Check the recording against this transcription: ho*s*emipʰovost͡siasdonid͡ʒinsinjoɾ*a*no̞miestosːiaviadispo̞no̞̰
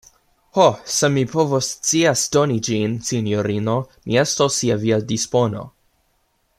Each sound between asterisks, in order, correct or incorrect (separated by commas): correct, incorrect